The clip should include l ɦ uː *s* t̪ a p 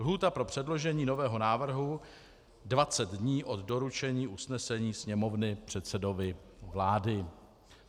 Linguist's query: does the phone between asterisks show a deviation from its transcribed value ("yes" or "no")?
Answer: yes